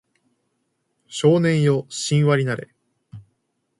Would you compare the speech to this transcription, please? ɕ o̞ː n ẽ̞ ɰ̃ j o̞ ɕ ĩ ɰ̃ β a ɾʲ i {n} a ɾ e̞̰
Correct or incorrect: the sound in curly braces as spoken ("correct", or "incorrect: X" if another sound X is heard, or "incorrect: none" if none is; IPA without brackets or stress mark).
correct